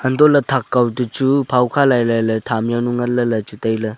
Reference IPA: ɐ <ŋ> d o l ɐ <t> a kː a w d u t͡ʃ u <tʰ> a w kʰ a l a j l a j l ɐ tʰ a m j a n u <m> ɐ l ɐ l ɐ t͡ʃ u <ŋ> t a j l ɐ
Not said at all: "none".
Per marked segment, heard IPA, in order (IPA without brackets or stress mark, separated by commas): n, tʰ, pʰ, ŋ, none